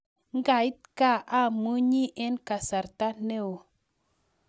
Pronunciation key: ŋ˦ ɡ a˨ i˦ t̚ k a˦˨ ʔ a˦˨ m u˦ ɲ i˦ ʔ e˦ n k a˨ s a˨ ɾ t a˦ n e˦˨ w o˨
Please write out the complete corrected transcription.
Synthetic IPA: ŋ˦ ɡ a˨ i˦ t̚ k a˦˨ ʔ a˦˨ m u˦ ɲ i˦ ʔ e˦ n k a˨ s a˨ ɾ t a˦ n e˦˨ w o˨